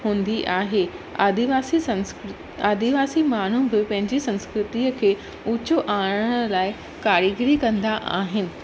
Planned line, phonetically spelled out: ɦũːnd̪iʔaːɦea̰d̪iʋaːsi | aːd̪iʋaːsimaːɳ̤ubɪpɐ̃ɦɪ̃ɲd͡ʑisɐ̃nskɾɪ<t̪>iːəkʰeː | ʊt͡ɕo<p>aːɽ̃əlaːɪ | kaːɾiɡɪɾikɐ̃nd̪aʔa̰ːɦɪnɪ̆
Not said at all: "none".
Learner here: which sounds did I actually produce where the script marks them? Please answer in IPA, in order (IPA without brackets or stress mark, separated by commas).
t̪, ʔ